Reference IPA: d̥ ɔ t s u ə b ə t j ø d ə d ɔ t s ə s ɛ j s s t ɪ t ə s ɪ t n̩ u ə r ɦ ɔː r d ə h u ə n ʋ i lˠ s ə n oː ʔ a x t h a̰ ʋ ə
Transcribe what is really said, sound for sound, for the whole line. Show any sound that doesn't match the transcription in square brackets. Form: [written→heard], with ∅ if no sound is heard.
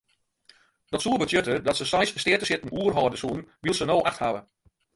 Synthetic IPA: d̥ ɔ t s u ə b ə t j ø [d→t] ə d ɔ t s ə s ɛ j s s t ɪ t ə s ɪ t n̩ u ə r ɦ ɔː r d ə [h→s] u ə n ʋ i lˠ s ə n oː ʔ a x t h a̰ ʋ ə